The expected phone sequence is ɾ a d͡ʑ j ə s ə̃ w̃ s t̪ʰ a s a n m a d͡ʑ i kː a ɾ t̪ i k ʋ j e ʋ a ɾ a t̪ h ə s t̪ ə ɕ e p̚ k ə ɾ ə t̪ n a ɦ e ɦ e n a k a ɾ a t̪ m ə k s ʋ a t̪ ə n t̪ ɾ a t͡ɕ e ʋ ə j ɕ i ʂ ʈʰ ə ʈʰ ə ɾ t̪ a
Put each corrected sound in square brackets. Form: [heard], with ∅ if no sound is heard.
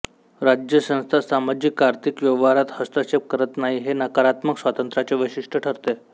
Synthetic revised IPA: ɾ a d͡ʑ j ə s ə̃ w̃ s t̪ʰ a s a [∅] m a d͡ʑ i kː a ɾ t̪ i k ʋ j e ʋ a ɾ a t̪ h ə s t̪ ə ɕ e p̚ k ə ɾ ə t̪ n a ɦ [i] ɦ e n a k a ɾ a t̪ m ə k s ʋ a t̪ ə n t̪ ɾ a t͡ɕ e ʋ ə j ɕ i ʂ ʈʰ ə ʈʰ ə ɾ t̪ [e]